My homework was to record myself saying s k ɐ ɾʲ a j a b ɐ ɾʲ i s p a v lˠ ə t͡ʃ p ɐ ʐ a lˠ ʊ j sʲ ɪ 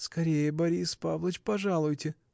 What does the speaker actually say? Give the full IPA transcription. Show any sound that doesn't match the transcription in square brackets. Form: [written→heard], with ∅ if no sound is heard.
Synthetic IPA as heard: s k ɐ ɾʲ [a→e] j [a→ə] b ɐ ɾʲ i s p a v lˠ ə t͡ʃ p ɐ ʐ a lˠ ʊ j [sʲ→tʲ] ɪ